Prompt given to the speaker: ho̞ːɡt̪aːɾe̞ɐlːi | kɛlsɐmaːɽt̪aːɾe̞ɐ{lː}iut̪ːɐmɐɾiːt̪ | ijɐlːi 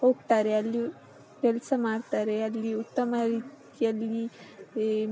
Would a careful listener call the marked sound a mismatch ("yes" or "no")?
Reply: no